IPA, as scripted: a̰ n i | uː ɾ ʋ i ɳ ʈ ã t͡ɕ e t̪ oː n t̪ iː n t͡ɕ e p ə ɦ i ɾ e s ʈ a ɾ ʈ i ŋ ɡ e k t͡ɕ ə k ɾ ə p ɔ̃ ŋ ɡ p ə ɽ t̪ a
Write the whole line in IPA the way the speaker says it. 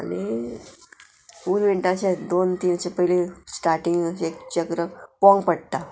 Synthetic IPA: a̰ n i | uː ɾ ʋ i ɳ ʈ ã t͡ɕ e d̪ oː n t̪ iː n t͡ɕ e p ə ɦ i l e s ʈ a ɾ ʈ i ŋ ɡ e k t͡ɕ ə k ɾ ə p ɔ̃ ŋ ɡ p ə ɽ t̪ a